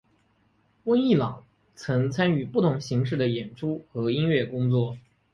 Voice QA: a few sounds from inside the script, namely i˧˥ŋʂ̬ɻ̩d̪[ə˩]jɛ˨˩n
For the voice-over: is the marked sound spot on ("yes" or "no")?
yes